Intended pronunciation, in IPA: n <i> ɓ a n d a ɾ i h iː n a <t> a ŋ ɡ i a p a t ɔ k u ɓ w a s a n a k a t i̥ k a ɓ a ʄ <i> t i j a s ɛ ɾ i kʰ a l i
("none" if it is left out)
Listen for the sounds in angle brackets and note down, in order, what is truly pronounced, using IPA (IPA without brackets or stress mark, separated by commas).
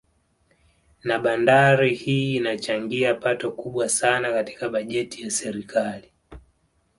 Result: a, t͡ʃ, ɛ